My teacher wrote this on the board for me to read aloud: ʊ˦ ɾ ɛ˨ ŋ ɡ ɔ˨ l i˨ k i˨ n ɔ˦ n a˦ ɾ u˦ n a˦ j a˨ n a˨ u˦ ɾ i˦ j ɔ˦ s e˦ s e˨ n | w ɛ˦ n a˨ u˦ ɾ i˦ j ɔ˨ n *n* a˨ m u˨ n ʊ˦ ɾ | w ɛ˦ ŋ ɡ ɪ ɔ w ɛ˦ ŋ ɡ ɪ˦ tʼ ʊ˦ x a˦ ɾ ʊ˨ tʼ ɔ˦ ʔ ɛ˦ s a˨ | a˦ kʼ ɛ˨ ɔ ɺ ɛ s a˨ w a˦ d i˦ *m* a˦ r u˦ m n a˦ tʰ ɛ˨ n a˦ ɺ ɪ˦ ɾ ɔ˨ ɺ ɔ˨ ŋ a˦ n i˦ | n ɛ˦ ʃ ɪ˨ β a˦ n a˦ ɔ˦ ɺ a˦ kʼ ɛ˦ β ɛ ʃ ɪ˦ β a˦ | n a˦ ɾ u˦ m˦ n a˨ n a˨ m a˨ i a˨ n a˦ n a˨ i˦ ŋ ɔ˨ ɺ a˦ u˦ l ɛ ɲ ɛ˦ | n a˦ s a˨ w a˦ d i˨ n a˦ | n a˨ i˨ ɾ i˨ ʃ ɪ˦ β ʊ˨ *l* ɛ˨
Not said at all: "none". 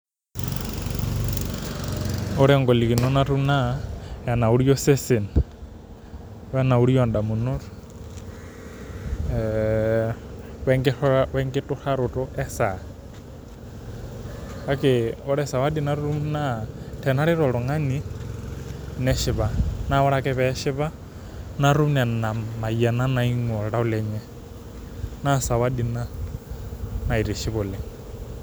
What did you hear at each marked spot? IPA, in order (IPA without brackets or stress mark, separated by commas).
d, n, l